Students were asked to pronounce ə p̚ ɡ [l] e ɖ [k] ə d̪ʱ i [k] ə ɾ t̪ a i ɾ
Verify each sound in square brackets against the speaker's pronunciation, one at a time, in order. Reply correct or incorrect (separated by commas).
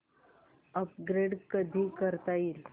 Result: incorrect, correct, correct